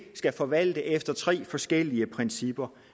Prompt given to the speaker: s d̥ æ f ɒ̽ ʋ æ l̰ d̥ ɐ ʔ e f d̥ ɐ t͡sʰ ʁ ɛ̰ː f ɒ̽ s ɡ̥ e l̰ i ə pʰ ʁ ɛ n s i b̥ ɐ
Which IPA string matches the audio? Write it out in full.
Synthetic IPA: s ɡ̥ æ f ɒ̽ ʋ æ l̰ d̥ ə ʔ e f d̥ ɐ t͡sʰ ʁ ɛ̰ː f ɒ̽ s ɡ̥ e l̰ i ə pʰ ʁ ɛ n s i b̥ ɐ

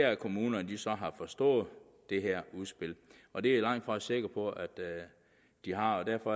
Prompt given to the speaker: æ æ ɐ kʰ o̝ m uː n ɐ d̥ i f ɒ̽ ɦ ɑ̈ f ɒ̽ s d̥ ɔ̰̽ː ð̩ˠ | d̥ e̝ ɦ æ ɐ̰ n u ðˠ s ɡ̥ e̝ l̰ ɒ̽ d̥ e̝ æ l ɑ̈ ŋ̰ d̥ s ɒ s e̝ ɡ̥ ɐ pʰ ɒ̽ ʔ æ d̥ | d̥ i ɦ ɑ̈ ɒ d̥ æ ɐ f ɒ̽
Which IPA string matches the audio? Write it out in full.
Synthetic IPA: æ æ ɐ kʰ o̝ m uː n ɐ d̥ i s ɒ̽ ɦ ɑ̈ f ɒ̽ s d̥ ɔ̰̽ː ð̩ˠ | d̥ e̝ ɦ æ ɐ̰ u ðˠ s b̥ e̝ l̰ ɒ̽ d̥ e̝ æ l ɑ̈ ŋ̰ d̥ f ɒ s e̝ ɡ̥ ɐ pʰ ɒ̽ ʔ æ d̥ | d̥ i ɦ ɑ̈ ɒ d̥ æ ɐ f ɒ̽

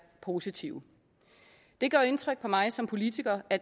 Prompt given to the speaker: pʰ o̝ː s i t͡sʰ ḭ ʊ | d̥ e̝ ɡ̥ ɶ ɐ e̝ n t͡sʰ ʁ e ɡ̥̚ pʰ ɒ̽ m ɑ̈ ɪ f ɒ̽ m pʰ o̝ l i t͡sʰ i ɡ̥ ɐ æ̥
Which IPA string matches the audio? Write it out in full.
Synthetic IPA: pʰ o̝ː s i t͡sʰ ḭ ʊ | d̥ e̝ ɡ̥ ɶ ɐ e̝ n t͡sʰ ʁ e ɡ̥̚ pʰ ɒ̽ m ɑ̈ ɪ s ɒ̽ m pʰ o̝ l i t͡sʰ i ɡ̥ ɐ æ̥

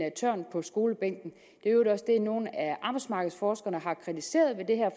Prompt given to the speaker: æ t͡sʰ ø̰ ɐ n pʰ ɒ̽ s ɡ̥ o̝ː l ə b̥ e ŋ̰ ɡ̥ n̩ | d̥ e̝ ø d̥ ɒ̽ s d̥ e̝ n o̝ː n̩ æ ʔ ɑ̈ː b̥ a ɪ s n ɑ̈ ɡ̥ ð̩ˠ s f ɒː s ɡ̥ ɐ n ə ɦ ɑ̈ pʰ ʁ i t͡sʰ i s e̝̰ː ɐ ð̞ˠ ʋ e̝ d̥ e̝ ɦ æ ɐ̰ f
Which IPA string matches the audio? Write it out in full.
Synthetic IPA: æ t͡sʰ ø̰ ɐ n pʰ ɒ̽ s ɡ̥ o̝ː l ə b̥ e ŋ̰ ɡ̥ n̩ | d̥ e̝ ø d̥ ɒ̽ s d̥ e̝ n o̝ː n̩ æ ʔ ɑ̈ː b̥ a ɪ s m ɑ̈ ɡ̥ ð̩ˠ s f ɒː s ɡ̥ ɐ n ə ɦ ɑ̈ kʰ ʁ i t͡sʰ i s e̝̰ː ɐ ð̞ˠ ʋ e̝ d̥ e̝ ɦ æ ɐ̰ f

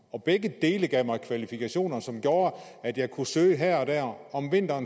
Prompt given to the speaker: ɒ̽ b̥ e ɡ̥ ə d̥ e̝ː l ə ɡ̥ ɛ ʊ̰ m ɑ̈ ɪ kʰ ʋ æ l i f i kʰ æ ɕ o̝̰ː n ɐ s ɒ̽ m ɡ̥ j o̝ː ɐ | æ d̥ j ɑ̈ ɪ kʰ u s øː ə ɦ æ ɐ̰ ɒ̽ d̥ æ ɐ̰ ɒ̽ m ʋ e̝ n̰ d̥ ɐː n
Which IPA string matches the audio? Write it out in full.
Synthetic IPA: ɒ̽ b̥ e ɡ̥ ə d̥ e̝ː l ə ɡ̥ ɛ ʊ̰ m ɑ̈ ɪ kʰ ʋ æ l i f i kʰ æ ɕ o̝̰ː n ɐ s ɒ̽ m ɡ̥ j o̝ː ɐ | æ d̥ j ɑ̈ ɪ kʰ u s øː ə ɦ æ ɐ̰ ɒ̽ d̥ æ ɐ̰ ɒ̽ m ʋ e̝ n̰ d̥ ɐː n

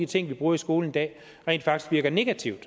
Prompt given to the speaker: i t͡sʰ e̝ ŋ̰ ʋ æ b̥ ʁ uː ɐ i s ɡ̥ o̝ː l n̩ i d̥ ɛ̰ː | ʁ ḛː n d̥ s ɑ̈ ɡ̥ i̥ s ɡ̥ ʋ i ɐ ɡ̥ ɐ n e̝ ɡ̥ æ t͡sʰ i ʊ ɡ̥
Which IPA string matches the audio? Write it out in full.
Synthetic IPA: i t͡sʰ e̝ ŋ̰ ʋ i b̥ ʁ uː ɐ i s ɡ̥ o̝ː l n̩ i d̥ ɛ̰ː | ʁ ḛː n d̥ f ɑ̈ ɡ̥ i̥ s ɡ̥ ʋ i ɐ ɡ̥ ɐ n e̝ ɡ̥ æ t͡sʰ i ʊ d̥

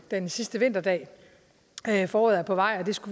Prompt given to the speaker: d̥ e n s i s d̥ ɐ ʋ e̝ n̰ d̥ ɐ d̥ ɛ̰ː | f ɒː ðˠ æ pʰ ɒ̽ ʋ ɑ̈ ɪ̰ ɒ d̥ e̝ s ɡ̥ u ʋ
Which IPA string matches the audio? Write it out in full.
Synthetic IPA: d̥ e n s i s d̥ ə ʋ e̝ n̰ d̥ ɐ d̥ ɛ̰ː | f ɒː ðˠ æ pʰ ɒ̽ ʋ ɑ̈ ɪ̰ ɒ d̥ e̝ s ɡ̥ u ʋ

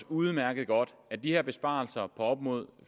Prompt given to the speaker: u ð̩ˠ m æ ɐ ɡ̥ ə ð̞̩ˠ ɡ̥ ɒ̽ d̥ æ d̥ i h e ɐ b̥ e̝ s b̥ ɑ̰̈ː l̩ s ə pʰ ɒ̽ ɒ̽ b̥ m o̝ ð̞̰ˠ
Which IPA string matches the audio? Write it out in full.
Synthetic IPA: u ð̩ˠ m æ ɐ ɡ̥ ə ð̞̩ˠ ɡ̥ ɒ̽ d̥ æ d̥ i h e ɐ b̥ e̝ s b̥ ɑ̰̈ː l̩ s ɐ pʰ ɒ̽ ɒ̽ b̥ m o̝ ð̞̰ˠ

